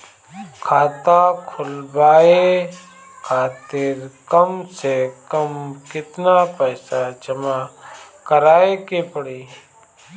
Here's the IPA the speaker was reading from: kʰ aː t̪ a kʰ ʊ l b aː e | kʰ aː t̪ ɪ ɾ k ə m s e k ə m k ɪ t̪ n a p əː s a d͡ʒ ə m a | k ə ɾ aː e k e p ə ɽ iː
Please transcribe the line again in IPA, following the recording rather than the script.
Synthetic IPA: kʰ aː t̪ a kʰ ʊ l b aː e | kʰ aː t̪ ɪ ɾ k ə m s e k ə m k ɪ t̪ n a p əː s a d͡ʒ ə m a | k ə ɾ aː e k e p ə ɽ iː